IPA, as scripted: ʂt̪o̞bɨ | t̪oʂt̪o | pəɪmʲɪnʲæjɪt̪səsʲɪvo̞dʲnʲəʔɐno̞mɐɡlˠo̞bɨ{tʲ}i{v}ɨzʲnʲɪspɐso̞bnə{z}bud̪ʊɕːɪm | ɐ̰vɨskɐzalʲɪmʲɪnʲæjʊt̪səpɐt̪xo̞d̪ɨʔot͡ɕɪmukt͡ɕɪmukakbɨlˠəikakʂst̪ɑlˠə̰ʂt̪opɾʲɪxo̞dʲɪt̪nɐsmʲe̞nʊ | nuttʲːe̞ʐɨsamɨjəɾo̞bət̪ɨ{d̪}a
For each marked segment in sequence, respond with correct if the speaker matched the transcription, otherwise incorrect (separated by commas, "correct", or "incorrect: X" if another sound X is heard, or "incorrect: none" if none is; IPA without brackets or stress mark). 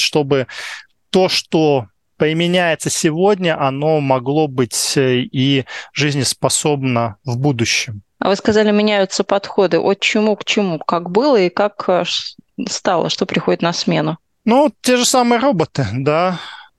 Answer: correct, incorrect: ʐ, incorrect: v, correct